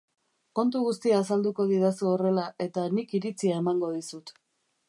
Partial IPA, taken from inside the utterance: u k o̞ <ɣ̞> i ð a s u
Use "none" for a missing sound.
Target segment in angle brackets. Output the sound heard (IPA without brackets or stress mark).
ð̞